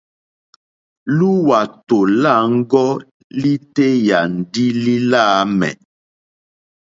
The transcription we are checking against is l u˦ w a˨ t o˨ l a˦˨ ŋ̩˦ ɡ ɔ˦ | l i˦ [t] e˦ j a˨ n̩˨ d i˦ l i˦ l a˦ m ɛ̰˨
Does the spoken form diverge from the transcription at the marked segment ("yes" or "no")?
no